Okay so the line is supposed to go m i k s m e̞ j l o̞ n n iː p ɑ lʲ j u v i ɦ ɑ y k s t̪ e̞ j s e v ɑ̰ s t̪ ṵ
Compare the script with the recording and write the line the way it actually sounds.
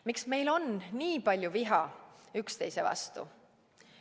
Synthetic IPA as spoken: m i k s m e̞ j l o̞ n n iː p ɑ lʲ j u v i ɦ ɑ y k s t̪ e̞ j s e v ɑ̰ s t̪ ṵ